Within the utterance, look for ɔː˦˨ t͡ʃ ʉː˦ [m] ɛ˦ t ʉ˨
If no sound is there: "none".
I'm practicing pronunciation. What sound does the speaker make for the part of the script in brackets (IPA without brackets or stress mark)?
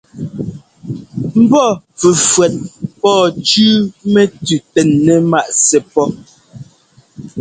m